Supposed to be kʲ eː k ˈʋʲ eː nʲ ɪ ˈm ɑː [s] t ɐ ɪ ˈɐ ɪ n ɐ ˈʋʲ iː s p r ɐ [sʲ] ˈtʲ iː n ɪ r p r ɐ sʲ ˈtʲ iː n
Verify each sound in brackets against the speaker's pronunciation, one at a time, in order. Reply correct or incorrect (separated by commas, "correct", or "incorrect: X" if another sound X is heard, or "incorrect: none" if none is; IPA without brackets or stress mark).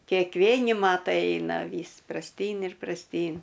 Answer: incorrect: none, correct